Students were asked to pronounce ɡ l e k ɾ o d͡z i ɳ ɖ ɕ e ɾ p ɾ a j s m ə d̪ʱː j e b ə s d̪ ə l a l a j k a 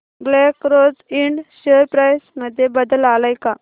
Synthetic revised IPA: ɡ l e k ɾ o d͡z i ɳ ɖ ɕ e ɾ p ɾ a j s m ə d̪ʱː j e b ə d̪ ə l a l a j k a